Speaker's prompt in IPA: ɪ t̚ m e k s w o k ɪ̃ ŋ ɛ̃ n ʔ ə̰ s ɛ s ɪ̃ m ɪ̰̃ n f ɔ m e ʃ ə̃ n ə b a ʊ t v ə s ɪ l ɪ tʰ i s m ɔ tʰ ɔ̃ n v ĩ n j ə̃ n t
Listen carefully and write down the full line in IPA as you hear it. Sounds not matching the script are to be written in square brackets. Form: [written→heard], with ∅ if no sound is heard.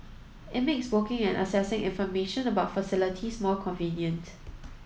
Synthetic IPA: ɪ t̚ m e k s w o k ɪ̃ ŋ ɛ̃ n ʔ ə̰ s ɛ s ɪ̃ [m→ŋ] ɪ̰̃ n f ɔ m e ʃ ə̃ n ə b a ʊ t [v→f] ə s ɪ l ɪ tʰ i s m ɔ [tʰ→kʰ] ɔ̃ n v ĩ n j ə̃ n t